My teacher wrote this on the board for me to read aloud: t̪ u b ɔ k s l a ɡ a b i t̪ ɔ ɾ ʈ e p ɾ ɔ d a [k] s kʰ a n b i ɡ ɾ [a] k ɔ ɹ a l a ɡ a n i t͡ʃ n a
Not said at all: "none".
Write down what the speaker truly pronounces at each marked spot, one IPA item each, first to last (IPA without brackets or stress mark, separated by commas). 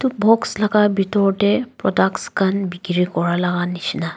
k, i